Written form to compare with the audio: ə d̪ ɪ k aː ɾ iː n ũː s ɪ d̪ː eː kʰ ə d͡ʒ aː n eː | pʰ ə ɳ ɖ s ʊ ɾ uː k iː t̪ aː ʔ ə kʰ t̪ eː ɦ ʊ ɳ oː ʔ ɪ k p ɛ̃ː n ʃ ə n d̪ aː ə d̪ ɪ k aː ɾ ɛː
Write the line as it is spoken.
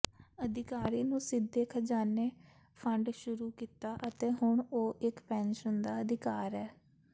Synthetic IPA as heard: ə d̪ ɪ k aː ɾ iː n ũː s ɪ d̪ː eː kʰ ə d͡ʒ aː n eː | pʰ ə ɳ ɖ ʃ ʊ ɾ uː k iː t̪ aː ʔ ə t̪ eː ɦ ʊ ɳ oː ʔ ɪ k p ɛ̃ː n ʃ ə n d̪ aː ə d̪ ɪ k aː ɾ ɛː

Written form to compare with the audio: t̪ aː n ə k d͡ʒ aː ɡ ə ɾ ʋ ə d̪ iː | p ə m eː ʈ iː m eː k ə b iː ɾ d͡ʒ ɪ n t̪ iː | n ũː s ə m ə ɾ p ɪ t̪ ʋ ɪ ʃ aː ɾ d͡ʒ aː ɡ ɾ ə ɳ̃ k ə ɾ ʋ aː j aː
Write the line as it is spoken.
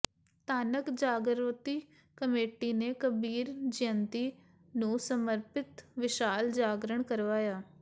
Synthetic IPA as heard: t̪ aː n ə k d͡ʒ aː ɡ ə ɾ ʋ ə t̪ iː | k ə m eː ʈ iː n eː k ə b iː ɾ d͡ʒ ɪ n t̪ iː | n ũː s ə m ə ɾ p ɪ t̪ ʋ ɪ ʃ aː l d͡ʒ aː ɡ ɾ ə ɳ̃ k ə ɾ ʋ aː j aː

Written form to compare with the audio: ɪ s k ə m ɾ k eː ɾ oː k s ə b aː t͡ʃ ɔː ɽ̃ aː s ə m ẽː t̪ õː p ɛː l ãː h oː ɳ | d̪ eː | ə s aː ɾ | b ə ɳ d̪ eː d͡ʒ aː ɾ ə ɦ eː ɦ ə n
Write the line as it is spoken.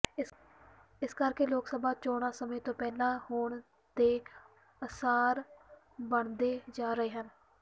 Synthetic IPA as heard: ɪ s k ə ɾ k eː l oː k s ə b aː t͡ʃ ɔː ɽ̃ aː s ə m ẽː t̪ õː p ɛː l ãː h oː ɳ | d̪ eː | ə s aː ɾ | b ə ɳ d̪ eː d͡ʒ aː ɾ ə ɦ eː ɦ ə n

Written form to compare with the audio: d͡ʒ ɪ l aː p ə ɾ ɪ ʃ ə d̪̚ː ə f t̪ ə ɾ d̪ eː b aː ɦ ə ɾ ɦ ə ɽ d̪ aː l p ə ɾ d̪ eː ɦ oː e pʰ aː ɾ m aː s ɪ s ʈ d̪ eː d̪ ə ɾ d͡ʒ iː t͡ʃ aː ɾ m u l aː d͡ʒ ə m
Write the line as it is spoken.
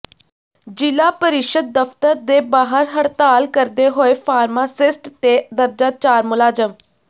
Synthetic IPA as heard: d͡ʒ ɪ l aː p ə ɾ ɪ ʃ ə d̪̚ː ə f t̪ ə ɾ d̪ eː b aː ɦ ə ɾ ɦ ə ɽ t̪ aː l k ə ɾ d̪ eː ɦ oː e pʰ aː ɾ m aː s ɪ s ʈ t̪ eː d̪ ə ɾ d͡ʒ aː t͡ʃ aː ɾ m ʊ l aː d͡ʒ ə m

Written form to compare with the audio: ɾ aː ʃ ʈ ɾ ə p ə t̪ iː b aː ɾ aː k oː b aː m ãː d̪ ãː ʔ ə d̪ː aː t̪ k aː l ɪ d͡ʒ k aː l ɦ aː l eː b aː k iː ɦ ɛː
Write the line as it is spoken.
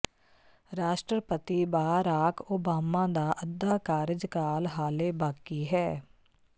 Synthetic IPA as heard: ɾ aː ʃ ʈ ɾ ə p ə t̪ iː b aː ɾ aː k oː b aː m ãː d̪ aː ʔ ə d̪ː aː k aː ɾ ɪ d͡ʒ k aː l ɦ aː l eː b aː k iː ɦ ɛː

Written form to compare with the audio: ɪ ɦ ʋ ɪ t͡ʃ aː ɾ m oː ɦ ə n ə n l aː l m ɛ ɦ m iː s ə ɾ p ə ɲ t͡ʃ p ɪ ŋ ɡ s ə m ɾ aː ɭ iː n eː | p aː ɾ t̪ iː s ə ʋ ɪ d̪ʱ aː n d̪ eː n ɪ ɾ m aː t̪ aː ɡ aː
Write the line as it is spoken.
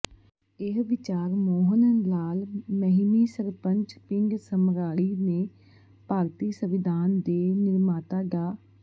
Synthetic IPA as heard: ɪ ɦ ʋ ɪ t͡ʃ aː ɾ m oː ɦ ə n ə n l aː l m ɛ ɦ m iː s ə ɾ p ə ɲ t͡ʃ p ɪ ŋ ɡ s ə m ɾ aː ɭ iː n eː | p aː ɾ t̪ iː s ə ʋ ɪ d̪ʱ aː n d̪ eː n ɪ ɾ m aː t̪ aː ɡ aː

